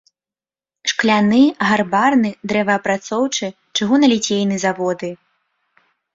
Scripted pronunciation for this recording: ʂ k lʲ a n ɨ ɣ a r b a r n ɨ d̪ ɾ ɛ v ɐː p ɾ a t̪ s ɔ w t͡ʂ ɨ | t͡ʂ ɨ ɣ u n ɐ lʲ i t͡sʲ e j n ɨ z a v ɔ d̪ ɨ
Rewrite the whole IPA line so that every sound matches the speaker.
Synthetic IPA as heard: ʂ k lʲ a n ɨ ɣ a r b a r n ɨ d̪ ɾ ɛ v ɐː p ɾ a t̪ s ɔ w t͡ʂ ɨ | t͡ʂ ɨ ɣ u n ɐ lʲ i t͡sʲ e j n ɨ z a v ɔ d̪ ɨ